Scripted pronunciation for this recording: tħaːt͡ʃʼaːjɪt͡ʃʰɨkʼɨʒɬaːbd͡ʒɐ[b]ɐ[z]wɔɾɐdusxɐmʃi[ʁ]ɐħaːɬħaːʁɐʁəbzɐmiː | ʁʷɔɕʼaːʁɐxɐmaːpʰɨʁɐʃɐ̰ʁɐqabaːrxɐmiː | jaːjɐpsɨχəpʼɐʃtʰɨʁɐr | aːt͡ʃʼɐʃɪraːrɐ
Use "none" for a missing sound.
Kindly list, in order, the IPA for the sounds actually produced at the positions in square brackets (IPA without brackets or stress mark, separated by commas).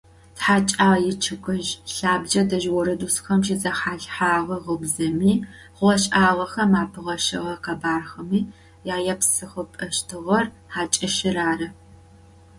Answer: d, ʒ, z